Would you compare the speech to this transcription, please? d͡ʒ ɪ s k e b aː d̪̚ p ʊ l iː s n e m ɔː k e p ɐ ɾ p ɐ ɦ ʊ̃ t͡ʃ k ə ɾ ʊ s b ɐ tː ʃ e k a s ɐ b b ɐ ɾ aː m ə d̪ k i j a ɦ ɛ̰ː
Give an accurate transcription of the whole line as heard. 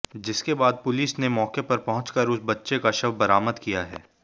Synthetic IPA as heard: d͡ʒ ɪ s k e b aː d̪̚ p ʊ l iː s n e m ɔː k e p ɐ ɾ p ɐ ɦ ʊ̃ t͡ʃ k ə ɾ ʊ s b ɐ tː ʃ e k a ʃ ɐ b b ɐ ɾ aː m ə d̪ k i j a ɦ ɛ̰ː